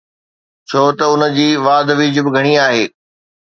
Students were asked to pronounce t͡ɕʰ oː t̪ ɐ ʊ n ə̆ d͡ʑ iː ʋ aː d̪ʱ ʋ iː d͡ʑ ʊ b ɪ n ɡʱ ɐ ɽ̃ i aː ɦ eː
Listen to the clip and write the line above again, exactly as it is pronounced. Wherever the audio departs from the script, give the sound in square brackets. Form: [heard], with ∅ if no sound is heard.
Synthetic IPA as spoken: t͡ɕʰ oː t̪ ɐ ʊ n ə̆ d͡ʑ iː ʋ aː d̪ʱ ʋ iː d͡ʑ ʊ b ɪ [∅] ɡʱ ɐ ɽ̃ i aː ɦ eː